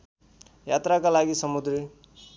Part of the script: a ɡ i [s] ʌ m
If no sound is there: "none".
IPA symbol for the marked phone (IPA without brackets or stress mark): s